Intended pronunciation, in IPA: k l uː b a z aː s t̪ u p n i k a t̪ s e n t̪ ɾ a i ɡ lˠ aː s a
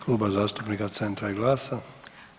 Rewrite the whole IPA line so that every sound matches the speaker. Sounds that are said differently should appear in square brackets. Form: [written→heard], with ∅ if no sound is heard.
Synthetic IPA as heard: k l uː b a z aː s t̪ u p n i k a t̪ s e n t̪ ɾ a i ɡ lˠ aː s a